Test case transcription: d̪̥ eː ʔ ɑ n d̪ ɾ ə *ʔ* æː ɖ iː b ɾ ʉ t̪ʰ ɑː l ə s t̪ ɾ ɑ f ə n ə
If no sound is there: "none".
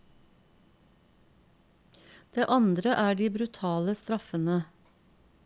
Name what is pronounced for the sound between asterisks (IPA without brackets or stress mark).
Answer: ʔ